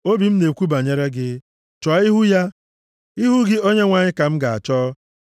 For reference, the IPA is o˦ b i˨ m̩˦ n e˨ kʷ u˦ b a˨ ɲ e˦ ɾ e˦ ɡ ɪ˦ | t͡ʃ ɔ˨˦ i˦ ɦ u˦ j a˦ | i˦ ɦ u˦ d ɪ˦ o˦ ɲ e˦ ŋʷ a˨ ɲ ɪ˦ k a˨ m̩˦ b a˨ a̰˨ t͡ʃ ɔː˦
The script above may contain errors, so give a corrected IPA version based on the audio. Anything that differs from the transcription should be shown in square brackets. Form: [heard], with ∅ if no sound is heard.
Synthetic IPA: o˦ b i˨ m̩˦ n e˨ kʷ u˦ b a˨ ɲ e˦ ɾ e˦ ɡ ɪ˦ | t͡ʃ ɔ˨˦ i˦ ɦ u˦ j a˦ | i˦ ɦ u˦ [ɡ] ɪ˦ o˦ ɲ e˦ ŋʷ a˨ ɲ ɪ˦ k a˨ m̩˦ [ɡ] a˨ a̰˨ t͡ʃ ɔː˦

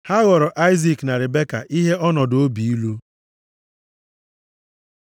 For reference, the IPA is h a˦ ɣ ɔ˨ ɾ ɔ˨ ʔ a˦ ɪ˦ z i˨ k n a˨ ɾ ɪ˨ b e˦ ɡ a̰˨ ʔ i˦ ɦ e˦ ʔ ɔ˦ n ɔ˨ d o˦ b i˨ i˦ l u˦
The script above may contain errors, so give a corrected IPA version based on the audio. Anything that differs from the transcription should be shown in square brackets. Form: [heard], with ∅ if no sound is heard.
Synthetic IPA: h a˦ ɣ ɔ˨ ɾ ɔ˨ ʔ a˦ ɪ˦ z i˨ k n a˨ ɾ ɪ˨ b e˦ [k] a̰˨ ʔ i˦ ɦ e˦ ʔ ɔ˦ n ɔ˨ d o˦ b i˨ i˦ l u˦

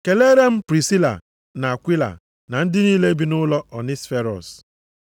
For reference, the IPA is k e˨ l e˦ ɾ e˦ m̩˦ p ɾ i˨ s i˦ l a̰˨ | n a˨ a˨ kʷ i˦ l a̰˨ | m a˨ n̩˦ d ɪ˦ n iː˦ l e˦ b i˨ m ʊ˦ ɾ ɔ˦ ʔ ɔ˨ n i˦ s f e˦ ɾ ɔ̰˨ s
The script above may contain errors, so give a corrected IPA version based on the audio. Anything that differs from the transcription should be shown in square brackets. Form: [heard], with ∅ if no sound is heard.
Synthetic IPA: k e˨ l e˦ ɾ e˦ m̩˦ p ɾ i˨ s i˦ l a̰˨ | n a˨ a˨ kʷ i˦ l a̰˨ | [n] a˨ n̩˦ d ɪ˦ n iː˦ l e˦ b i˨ [n] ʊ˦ [l] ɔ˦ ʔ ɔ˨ n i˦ s f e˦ ɾ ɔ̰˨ s

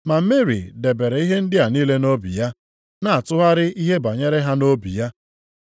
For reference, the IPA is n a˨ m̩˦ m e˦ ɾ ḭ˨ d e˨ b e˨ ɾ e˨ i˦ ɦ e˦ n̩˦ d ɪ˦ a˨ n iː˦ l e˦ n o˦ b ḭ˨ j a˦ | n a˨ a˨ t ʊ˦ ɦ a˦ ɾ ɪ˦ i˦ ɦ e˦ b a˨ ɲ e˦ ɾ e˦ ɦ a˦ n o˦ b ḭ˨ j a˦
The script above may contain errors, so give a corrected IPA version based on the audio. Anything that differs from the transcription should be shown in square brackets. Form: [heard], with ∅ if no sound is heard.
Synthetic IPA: [m] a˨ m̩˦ m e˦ ɾ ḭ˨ d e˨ b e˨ ɾ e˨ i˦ ɦ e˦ n̩˦ d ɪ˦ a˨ n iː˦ l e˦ n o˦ b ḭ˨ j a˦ | n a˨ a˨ t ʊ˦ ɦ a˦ ɾ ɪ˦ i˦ ɦ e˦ b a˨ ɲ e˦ ɾ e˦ ɦ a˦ n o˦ b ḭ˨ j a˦

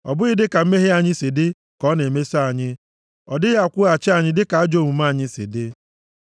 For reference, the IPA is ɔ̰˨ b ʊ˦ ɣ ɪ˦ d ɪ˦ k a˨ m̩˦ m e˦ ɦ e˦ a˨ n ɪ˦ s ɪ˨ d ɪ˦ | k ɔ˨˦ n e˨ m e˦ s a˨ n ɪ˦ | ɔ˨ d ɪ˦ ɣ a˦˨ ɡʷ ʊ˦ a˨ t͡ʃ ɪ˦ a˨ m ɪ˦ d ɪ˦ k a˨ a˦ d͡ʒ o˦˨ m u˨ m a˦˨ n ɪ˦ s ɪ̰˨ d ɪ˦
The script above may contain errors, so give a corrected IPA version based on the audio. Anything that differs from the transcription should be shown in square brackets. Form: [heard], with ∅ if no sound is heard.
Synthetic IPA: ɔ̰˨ b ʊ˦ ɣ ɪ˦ d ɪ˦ k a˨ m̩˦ m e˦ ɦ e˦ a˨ [ɲ] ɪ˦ s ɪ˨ d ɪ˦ | k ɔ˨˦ n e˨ m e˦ s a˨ [ɲ] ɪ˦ | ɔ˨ d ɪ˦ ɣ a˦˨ [kʷ] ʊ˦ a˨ t͡ʃ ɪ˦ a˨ [ɲ] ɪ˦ d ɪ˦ k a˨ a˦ d͡ʒ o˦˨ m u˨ m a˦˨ [ɲ] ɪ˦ s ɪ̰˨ d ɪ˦

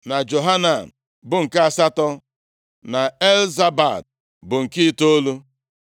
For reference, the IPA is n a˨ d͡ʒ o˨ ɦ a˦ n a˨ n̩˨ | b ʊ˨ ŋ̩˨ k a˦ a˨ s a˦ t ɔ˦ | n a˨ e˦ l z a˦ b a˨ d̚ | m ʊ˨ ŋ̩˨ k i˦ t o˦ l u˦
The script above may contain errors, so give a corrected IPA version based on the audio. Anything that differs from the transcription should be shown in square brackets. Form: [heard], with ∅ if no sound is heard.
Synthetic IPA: n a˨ d͡ʒ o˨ ɦ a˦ n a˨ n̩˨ | b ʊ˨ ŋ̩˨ k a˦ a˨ s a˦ t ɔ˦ | n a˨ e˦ l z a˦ b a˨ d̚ | [b] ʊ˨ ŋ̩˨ k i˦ t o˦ l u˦

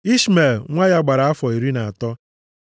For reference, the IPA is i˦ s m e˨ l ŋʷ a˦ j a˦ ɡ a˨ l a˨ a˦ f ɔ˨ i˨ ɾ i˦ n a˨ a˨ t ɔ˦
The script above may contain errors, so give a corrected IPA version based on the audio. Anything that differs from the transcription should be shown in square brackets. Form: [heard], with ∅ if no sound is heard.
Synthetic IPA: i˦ s m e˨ l ŋʷ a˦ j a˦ [ɡ͡b] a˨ [ɾ] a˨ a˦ f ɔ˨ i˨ ɾ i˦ n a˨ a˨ t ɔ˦

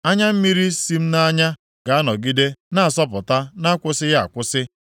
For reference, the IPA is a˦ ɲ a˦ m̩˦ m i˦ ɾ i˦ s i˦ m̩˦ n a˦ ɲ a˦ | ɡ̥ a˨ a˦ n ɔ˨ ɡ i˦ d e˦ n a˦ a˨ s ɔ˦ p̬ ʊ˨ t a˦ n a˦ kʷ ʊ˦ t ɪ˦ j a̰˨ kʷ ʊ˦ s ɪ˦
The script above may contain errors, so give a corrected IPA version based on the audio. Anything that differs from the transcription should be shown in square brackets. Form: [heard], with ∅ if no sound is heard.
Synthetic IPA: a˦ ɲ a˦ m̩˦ m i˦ ɾ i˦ s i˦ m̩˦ n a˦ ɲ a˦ | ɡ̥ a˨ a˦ n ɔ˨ ɡ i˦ d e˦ n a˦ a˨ s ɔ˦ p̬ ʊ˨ t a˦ n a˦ kʷ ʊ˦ [s] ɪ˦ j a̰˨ kʷ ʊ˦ s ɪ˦

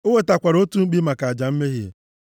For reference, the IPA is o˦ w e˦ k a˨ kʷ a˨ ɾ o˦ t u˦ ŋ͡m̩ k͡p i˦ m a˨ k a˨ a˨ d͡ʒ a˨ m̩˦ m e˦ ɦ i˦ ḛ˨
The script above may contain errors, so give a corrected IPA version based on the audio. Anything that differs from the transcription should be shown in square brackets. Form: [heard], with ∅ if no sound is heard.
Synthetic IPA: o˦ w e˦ [t] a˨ kʷ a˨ ɾ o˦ t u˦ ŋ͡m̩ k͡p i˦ m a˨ k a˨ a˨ d͡ʒ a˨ m̩˦ m e˦ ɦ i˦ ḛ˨

